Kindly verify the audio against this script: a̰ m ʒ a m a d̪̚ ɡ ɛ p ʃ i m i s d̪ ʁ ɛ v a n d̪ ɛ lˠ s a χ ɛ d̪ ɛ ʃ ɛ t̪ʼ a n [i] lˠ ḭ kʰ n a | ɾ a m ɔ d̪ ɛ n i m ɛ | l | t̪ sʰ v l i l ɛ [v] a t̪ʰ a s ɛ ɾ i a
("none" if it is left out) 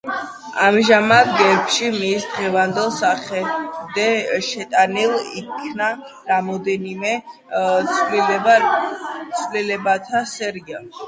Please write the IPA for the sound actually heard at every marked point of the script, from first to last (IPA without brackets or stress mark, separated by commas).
i, b